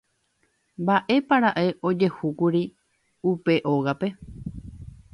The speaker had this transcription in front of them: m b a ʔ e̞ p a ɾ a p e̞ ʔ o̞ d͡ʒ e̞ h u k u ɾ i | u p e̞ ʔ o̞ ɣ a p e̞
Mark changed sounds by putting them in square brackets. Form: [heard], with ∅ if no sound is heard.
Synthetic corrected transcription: m b a ʔ e̞ p a ɾ a [ʔ] e̞ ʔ o̞ d͡ʒ e̞ h u k u ɾ i | u p e̞ ʔ o̞ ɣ a p e̞

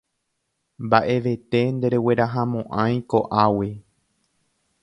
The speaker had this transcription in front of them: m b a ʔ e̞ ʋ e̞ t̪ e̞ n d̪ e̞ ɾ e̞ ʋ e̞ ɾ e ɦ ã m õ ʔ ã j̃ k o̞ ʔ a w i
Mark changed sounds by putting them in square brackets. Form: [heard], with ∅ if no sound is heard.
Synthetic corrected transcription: m b a ʔ e̞ ʋ e̞ t̪ e̞ n d̪ e̞ ɾ e̞ [w] e̞ ɾ [a] ɦ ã m õ ʔ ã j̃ k o̞ ʔ a w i

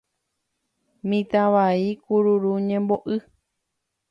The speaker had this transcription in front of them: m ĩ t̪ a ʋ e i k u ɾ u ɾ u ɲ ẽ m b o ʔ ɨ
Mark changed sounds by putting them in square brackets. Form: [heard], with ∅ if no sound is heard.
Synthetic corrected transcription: m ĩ t̪ a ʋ [a] i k u ɾ u ɾ u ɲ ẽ m b o ʔ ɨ

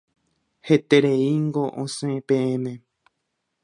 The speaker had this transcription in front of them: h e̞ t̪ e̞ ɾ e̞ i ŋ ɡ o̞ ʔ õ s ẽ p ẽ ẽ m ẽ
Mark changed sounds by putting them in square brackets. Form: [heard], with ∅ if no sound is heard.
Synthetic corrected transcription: h e̞ t̪ e̞ ɾ e̞ i ŋ ɡ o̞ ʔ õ s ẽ p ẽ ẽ m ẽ

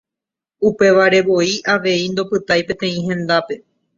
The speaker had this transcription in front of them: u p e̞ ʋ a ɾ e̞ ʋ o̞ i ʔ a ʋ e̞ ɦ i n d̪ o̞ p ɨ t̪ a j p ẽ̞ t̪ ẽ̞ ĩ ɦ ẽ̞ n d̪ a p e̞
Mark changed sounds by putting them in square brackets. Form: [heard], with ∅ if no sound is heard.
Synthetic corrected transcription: u p e̞ ʋ a ɾ e̞ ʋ o̞ i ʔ a ʋ e̞ [∅] i n d̪ o̞ p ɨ t̪ a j p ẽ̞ t̪ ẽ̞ ĩ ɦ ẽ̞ n d̪ a p e̞

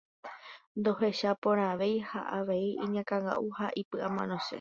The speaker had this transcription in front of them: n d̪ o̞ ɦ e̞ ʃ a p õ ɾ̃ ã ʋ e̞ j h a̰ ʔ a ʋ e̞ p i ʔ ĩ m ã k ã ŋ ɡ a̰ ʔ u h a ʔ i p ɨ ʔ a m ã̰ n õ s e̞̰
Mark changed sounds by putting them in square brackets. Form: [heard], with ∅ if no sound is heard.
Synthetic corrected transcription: n d̪ o̞ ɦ e̞ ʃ a p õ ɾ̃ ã ʋ e̞ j h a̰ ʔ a ʋ e̞ [∅] i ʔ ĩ [ɲ] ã k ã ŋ ɡ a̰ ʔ u h a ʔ i p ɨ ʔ a m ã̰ n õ s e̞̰

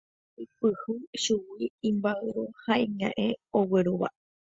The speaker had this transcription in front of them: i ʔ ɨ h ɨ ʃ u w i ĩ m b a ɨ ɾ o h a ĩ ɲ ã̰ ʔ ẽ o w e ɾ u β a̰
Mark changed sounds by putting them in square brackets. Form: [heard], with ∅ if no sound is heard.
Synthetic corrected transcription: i [p] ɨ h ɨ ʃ u w i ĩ m b a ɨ ɾ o h a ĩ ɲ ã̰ ʔ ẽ o w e ɾ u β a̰

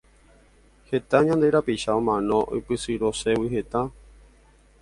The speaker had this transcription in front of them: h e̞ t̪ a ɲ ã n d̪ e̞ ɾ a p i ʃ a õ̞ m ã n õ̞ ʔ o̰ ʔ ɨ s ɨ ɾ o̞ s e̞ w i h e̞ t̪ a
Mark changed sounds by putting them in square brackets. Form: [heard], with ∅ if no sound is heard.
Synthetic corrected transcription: h e̞ t̪ a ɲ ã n d̪ e̞ ɾ a p i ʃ a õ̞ m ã n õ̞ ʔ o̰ [p] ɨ s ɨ ɾ o̞ s e̞ w i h e̞ t̪ a

